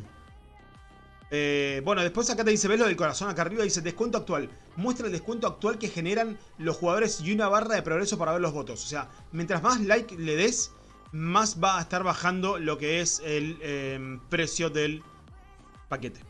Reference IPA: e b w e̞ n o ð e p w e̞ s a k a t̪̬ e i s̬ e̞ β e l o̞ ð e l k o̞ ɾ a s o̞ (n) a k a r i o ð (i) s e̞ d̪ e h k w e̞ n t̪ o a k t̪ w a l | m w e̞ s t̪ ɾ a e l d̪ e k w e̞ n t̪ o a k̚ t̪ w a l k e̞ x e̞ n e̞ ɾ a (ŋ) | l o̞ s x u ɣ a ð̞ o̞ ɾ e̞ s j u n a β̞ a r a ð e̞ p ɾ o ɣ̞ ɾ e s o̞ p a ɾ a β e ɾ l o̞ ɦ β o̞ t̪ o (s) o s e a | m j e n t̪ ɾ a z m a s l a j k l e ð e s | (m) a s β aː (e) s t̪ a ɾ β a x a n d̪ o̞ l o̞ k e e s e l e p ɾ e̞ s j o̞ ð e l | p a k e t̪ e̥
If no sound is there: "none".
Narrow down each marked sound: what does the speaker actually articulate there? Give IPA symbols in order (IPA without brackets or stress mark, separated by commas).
n, i, n, s, m, e